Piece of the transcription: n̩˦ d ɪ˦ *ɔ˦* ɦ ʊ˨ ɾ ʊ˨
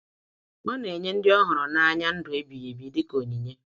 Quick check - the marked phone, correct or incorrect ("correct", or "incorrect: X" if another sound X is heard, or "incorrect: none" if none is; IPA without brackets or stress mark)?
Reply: correct